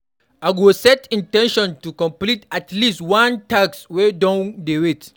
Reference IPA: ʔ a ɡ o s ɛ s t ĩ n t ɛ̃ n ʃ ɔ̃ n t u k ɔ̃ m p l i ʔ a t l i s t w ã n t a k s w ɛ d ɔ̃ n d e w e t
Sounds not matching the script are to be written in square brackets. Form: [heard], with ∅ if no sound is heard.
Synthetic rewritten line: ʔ a ɡ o s ɛ [∅] t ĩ n t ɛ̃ n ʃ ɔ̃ n t u k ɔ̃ m p l i [t] a t l i s t w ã n t a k s w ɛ d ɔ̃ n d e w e t